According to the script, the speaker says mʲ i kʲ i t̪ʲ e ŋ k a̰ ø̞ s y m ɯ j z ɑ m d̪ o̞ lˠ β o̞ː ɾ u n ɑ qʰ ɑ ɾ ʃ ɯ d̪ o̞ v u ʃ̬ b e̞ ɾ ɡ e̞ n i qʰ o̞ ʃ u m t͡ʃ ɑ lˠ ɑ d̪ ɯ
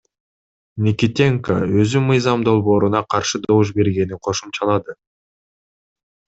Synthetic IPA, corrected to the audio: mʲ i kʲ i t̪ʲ e ŋ k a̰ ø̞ z y m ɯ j z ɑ m d̪ o̞ lˠ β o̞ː ɾ u n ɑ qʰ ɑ ɾ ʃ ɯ d̪ o̞ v u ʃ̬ b e̞ ɾ ɡ e̞ n i qʰ o̞ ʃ u m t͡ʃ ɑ lˠ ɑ d̪ ɯ